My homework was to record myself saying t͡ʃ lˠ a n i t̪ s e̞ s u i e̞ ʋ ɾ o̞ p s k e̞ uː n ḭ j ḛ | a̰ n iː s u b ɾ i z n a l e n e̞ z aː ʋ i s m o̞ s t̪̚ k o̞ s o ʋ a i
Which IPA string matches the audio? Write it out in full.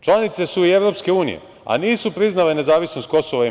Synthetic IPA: t͡ʃ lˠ a n i t̪ s e̞ s u i e̞ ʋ ɾ o̞ p s k e̞ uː n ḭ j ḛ | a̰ n iː s u p ɾ i z n a l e n e̞ z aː ʋ i s n o̞ s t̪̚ k o̞ s o ʋ a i